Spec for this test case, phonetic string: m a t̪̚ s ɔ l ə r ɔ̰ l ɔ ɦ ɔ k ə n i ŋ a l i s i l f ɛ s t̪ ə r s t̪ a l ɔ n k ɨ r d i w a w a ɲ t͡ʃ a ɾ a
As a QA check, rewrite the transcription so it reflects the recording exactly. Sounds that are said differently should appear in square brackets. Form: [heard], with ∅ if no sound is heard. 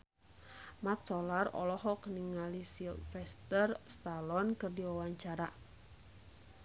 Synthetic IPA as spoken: m a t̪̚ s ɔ l [a] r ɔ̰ l ɔ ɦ ɔ k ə n i ŋ a l i s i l f ɛ s t̪ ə r s t̪ a l ɔ n k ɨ r d i w a w a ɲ t͡ʃ a ɾ a

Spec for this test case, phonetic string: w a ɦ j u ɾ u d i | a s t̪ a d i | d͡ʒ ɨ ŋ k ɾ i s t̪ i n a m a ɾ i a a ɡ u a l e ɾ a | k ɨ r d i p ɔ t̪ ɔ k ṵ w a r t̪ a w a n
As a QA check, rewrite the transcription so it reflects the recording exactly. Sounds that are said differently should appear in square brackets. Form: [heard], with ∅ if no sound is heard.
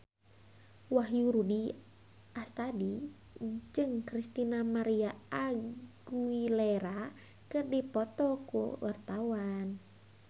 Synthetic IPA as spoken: w a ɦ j u ɾ u d i | a s t̪ a d i | d͡ʒ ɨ ŋ k ɾ i s t̪ i n a m a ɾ i a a ɡ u [i] l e ɾ a | k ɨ r d i p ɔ t̪ ɔ k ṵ w a r t̪ a w a n

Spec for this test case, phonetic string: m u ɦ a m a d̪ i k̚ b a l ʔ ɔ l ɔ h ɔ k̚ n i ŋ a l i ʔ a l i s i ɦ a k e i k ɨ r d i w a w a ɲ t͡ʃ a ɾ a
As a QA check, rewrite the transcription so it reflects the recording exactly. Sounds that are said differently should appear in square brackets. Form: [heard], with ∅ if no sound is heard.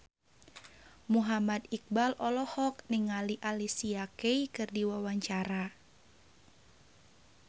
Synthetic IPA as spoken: m u ɦ a m a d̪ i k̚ b a l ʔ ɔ l ɔ h ɔ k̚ n i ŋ a l i ʔ a l i s i [∅] a k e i k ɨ r d i w a w a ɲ t͡ʃ a ɾ a

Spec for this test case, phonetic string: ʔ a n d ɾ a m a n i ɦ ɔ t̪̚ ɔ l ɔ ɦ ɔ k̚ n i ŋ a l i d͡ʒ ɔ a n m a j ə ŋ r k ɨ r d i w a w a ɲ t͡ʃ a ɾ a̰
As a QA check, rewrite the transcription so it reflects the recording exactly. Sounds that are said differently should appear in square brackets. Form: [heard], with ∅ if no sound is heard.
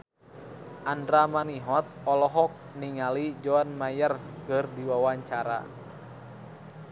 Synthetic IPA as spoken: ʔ a n d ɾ a m a n i ɦ ɔ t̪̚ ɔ l ɔ ɦ ɔ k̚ n i ŋ a l i d͡ʒ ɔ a n m a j ə [∅] r k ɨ r d i w a w a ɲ t͡ʃ a ɾ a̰

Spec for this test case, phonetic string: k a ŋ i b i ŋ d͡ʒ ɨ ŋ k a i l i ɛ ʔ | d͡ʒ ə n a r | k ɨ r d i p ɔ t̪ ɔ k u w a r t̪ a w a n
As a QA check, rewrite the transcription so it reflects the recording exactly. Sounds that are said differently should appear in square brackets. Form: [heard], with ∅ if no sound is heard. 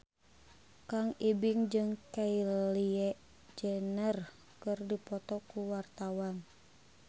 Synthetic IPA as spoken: k a ŋ i b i ŋ d͡ʒ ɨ ŋ k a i l i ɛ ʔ | d͡ʒ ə n [ə] r | k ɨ r d i p ɔ t̪ ɔ k u w a r t̪ a w a n

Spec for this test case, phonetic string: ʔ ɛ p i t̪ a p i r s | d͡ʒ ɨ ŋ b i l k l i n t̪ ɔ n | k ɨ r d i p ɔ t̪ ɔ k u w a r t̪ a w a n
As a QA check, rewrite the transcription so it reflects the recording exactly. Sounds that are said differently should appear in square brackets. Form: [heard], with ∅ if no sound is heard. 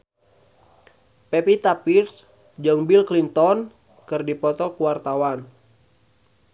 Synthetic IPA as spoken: [p] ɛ p i t̪ a p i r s | d͡ʒ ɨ ŋ b i l k l i n t̪ ɔ n | k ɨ r d i p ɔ t̪ ɔ k u w a r t̪ a w a n

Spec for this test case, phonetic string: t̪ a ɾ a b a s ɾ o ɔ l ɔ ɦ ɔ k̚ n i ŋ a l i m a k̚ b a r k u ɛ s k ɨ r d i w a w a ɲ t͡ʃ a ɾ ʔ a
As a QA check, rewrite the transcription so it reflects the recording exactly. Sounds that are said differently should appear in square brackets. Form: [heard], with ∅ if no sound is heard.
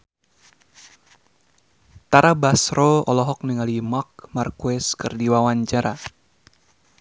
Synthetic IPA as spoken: t̪ a ɾ a b a s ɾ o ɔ l ɔ ɦ ɔ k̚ n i ŋ a l i m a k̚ [m] a r k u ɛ s k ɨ r d i w a w a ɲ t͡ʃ a ɾ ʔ a

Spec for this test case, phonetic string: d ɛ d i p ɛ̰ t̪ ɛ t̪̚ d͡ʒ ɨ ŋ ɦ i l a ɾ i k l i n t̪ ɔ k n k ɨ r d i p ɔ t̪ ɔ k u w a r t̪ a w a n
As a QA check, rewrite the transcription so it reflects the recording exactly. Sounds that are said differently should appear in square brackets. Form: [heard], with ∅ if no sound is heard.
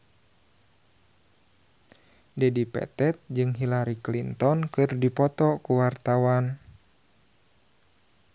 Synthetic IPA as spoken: d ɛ d i p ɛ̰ t̪ ɛ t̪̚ d͡ʒ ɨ ŋ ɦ i l a ɾ i k l i n t̪ ɔ [∅] n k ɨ r d i p ɔ t̪ ɔ k u w a r t̪ a w a n

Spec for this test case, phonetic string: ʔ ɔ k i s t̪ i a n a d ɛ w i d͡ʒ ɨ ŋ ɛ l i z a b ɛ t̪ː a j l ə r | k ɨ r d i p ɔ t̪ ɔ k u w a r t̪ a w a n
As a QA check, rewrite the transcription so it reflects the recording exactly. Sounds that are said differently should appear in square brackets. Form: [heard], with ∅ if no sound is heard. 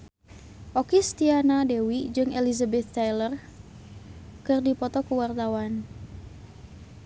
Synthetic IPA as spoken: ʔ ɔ k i s t̪ i a n a d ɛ w i d͡ʒ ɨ ŋ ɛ l i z a b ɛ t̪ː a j l ə r | k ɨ r d i p ɔ t̪ ɔ k u w a r t̪ a w a n

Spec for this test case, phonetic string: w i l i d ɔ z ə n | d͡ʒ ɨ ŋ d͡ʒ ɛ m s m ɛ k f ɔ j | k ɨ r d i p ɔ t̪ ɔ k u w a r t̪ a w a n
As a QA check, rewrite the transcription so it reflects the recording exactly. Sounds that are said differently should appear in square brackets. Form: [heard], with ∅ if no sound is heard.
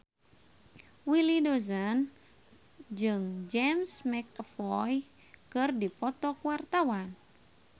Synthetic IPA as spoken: w i l i d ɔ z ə n | d͡ʒ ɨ ŋ d͡ʒ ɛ m s m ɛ k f ɔ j | k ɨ r d i p ɔ t̪ ɔ k u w a r t̪ a w a n

